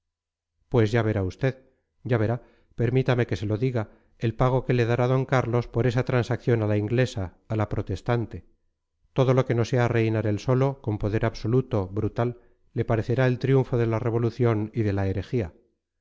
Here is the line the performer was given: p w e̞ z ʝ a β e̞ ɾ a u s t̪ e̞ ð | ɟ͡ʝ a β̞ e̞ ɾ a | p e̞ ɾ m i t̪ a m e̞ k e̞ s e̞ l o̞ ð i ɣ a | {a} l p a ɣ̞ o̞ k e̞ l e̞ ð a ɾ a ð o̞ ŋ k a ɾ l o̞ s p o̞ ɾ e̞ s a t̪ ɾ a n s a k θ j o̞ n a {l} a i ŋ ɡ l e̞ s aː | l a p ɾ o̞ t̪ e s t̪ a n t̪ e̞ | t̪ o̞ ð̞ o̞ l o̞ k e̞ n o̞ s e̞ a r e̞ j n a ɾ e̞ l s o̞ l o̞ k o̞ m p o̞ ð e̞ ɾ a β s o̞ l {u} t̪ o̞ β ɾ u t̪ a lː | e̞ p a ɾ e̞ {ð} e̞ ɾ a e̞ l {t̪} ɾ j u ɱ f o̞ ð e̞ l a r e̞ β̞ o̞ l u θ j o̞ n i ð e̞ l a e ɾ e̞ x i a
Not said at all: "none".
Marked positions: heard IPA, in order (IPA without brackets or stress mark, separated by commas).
e, l, u, θ, t̪